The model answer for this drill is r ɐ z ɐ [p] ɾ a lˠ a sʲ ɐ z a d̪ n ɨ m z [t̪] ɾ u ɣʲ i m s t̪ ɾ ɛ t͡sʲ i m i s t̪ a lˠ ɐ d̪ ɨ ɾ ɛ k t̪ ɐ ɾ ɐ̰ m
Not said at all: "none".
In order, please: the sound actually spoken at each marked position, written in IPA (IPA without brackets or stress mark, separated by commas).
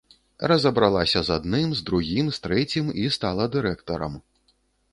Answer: b, d̪